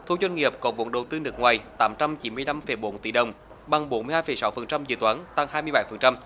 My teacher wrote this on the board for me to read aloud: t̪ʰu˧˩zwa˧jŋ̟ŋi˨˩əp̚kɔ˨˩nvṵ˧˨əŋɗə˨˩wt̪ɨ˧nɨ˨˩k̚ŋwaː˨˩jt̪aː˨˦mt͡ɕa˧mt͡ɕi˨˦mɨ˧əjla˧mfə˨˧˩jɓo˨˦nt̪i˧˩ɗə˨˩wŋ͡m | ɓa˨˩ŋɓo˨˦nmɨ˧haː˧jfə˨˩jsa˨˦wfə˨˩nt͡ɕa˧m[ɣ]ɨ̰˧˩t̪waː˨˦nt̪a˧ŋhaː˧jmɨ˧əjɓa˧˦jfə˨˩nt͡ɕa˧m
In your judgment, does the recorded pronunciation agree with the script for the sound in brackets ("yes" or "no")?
no